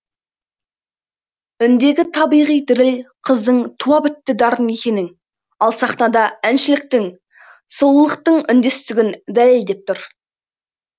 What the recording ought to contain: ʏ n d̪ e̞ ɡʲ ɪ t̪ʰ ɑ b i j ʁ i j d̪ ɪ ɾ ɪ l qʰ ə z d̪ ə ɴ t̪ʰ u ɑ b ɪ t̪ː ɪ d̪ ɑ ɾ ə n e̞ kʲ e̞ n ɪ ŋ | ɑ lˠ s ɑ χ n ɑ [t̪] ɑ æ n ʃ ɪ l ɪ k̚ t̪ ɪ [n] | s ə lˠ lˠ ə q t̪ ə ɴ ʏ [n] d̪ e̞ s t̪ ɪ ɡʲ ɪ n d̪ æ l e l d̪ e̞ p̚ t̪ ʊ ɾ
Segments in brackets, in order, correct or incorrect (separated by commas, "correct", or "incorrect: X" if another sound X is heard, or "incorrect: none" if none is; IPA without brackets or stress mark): incorrect: d̪, incorrect: ŋ, correct